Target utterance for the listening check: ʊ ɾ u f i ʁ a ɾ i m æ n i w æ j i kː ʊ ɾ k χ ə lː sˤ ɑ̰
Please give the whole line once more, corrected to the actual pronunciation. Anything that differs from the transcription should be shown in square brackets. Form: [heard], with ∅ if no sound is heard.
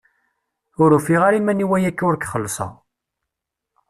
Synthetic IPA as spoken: ʊ ɾ u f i ʁ a ɾ i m æ n i w æ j [æ] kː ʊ ɾ k χ ə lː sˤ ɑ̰